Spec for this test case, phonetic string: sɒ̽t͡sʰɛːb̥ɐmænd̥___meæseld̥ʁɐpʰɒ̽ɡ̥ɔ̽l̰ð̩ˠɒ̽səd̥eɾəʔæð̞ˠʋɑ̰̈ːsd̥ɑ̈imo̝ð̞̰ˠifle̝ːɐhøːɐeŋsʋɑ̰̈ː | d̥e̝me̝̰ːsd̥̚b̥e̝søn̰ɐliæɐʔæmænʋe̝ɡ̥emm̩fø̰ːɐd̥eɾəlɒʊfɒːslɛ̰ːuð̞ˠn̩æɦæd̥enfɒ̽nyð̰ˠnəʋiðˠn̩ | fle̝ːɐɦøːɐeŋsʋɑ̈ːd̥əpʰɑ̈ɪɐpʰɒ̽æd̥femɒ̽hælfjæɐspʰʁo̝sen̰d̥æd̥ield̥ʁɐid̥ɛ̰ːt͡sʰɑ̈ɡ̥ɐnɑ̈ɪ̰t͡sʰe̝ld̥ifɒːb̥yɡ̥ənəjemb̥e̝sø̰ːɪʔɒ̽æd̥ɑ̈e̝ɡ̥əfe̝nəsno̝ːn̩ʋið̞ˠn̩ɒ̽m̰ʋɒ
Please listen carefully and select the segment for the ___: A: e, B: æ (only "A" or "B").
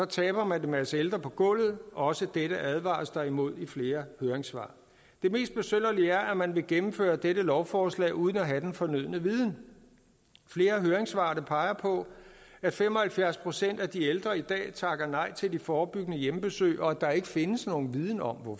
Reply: A